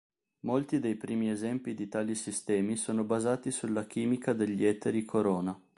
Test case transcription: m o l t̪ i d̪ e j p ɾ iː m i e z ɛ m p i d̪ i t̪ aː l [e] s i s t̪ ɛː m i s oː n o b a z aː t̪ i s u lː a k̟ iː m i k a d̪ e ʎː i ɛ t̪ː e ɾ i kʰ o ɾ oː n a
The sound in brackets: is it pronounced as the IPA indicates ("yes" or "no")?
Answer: no